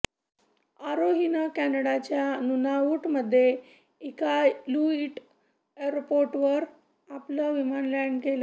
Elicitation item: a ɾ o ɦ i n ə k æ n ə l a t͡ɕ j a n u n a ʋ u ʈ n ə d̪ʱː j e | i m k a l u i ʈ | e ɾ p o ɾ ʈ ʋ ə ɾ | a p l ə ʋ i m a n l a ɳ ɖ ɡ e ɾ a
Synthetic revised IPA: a ɾ o ɦ i n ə k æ n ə ɽ a t͡ɕ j a n u n a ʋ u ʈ m ə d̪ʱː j e | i k a l u i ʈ | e ɾ p o ɾ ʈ ʋ ə ɾ | a p l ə ʋ i m a n l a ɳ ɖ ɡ e l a